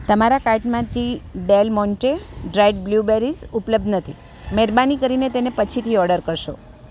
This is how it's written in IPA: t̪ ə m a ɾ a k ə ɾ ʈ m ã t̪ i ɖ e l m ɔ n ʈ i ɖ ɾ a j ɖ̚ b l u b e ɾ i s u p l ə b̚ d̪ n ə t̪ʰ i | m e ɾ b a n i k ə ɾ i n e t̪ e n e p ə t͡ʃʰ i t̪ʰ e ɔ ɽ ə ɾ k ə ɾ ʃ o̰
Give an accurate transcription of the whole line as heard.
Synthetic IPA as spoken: t̪ ə m a ɾ a k a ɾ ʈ m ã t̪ i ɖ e l m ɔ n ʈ e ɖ ɾ a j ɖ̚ b l u b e ɾ i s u p l ə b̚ d̪ n ə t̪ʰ i | m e ɾ b a n i k ə ɾ i n e t̪ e n e p ə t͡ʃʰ i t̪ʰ i ɔ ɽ ə ɾ k ə ɾ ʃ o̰

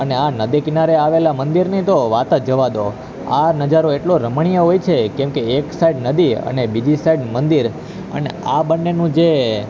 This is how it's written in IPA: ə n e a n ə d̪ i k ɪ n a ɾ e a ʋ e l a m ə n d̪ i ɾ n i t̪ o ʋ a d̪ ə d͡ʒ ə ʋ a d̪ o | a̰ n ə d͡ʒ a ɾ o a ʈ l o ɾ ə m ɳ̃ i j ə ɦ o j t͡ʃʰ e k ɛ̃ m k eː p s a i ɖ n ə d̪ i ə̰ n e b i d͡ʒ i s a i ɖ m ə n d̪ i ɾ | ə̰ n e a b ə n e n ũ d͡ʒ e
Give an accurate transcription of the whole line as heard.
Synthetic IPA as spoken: ə n e a n ə d̪ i k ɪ n a ɾ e a ʋ e l a m ə n d̪ i ɾ n i t̪ o ʋ a t̪ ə d͡ʒ ə ʋ a d̪ o | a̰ n ə d͡ʒ a ɾ o e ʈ l o ɾ ə m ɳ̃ i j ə ɦ o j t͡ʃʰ e k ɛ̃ m k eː k s a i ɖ n ə d̪ i ə̰ n e b i d͡ʒ i s a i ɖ m ə n d̪ i ɾ | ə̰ n e a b ə nː e n ũ d͡ʒ e

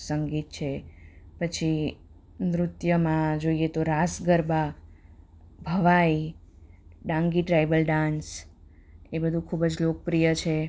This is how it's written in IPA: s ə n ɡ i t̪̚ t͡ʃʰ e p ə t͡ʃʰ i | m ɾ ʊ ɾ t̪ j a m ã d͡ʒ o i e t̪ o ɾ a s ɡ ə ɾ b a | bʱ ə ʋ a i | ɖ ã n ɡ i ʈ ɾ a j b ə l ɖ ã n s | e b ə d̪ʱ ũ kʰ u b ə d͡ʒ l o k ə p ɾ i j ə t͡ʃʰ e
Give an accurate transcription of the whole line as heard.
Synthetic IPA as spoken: s ə ŋ ɡ i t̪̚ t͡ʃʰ e p ə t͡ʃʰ i | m ɾ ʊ t̪ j ə m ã d͡ʒ o i e t̪ o ɾ a s ɡ ə ɾ b a | bʱ ə ʋ a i | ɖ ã ŋ ɡ i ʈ ɾ a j b ə l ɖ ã n s | e b ə d̪ʱ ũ kʰ u b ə d͡ʒ l o k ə p ɾ i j ə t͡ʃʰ e

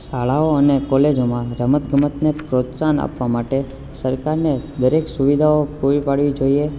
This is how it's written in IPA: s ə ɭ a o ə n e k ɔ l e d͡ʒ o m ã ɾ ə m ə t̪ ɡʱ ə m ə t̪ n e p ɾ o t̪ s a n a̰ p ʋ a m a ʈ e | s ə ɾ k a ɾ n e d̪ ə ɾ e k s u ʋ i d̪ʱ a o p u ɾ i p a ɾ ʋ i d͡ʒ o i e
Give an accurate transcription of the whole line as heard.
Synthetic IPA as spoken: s a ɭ a o ə n e k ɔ l e d͡ʒ o m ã ɾ ə m ə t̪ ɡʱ ə m ə t̪ n e p ɾ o t̪ s a n a̰ p ʋ a m a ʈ e | s ə ɾ k a ɾ n e d̪ ə ɾ e k s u ʋ i d̪ʱ a o p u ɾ i p a ɽ ʋ i d͡ʒ o i e

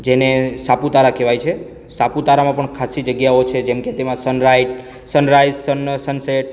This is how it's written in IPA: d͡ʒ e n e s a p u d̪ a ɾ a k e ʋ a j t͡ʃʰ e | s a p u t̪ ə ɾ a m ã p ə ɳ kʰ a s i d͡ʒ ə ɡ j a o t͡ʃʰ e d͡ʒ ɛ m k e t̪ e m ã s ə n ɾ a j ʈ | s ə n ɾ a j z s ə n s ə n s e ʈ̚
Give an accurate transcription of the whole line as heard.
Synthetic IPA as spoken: d͡ʒ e n e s a p u t̪ a ɾ a k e ʋ a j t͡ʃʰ e | s a p u t̪ a ɾ a m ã p ə ɳ kʰ a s i d͡ʒ ə ɡ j a o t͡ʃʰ e d͡ʒ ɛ m k e t̪ e m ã s ə n ɾ a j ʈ | s ə n ɾ a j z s ə n s ə n s e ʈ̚

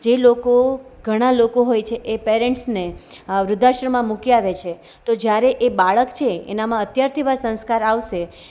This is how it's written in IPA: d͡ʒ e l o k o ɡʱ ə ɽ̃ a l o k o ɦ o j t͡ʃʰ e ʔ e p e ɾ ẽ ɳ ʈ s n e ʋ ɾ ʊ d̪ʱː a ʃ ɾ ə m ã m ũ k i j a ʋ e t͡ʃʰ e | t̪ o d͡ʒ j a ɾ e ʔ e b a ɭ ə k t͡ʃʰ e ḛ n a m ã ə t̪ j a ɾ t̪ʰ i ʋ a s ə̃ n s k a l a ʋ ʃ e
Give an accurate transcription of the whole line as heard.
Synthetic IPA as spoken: d͡ʒ e l o k o ɡʱ ə ɽ̃ a l o k o ɦ o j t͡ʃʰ e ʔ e p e ɾ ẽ ɳ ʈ s n e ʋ ɾ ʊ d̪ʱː a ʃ ɾ ə m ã m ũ k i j a ʋ e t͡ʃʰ e | t̪ o d͡ʒ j a ɾ e ʔ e b a ɭ ə k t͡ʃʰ e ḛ n a m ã ə t̪ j a ɾ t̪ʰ i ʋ a s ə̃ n s k a ɾ a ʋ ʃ e

